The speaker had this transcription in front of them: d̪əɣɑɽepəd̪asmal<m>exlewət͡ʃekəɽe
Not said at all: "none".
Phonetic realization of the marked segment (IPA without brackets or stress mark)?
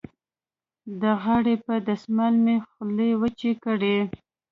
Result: m